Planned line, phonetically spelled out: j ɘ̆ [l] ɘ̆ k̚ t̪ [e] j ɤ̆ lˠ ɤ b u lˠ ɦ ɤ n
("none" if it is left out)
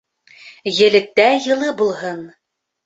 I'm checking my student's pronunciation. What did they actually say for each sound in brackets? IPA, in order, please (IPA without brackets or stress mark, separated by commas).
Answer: l, æ